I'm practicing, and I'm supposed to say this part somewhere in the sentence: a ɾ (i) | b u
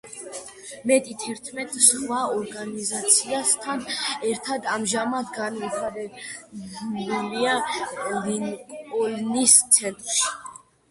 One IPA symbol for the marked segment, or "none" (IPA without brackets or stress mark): ɛ